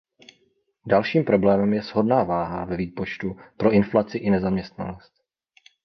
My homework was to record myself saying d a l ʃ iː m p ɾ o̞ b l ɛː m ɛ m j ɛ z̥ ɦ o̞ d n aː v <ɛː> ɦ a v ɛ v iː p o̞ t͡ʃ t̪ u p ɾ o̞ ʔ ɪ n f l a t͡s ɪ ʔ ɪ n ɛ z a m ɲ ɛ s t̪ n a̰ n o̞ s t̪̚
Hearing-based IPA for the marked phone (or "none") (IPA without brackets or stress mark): aː